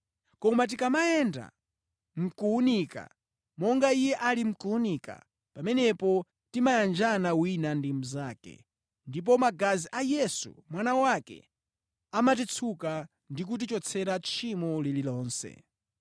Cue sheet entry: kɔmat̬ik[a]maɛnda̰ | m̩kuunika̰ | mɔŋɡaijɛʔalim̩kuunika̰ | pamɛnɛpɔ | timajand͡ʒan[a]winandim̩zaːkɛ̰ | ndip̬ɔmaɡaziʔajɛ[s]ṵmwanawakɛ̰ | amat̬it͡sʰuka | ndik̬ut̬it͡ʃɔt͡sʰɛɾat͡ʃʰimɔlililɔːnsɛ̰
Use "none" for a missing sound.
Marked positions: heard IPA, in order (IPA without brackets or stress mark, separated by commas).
a, a, s